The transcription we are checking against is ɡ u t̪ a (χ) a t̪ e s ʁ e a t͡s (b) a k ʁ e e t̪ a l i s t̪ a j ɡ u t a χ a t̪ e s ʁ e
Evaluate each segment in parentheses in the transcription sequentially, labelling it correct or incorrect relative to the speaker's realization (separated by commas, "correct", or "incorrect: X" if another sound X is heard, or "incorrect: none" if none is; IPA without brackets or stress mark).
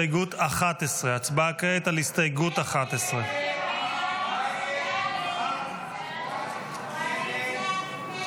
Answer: correct, correct